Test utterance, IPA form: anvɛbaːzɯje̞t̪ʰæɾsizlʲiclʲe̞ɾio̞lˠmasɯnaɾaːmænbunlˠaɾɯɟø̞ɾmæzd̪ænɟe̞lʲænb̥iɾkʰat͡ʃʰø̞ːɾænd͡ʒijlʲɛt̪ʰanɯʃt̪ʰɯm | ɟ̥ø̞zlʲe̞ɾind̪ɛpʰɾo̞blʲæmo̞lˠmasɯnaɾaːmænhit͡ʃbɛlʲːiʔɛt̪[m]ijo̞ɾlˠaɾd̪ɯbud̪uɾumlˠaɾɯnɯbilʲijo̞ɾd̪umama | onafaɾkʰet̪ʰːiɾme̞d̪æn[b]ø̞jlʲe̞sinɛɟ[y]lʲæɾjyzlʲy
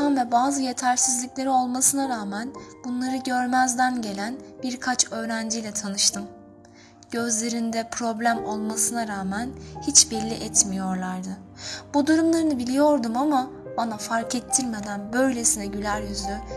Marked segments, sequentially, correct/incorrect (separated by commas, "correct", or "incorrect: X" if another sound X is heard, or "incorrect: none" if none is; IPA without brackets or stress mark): correct, correct, correct